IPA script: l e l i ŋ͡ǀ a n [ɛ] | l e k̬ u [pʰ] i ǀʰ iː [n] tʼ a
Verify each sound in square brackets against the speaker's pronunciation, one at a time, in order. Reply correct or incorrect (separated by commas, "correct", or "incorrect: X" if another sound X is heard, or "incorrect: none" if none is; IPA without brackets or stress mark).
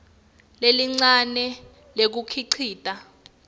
correct, incorrect: kʰ, incorrect: none